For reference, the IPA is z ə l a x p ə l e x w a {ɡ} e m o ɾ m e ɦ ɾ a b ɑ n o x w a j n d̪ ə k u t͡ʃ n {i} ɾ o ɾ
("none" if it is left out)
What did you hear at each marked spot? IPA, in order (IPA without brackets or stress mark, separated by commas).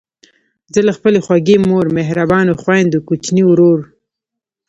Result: ɡ, i